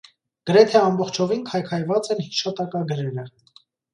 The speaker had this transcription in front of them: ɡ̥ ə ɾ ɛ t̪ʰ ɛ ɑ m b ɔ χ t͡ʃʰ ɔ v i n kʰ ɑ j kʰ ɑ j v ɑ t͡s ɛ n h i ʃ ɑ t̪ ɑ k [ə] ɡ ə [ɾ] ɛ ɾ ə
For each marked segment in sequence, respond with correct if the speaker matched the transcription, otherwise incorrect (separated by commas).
incorrect, correct